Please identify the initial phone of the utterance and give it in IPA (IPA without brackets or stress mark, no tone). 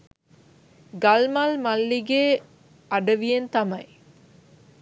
ɡ